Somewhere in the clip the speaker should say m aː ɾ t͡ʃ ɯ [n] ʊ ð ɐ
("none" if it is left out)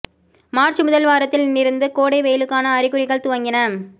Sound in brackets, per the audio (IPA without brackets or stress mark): m